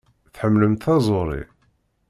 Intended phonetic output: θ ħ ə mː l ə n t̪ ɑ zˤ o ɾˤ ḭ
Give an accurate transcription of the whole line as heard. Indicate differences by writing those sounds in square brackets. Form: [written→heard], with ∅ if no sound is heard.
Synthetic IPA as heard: θ ħ ə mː l ə [n→m] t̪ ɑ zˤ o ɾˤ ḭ